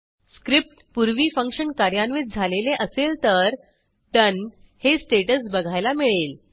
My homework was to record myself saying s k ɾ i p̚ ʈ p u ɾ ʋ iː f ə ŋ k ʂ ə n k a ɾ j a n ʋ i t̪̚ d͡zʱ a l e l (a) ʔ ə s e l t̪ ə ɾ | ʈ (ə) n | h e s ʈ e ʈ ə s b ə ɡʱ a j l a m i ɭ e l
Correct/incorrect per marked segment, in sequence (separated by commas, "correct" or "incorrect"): incorrect, correct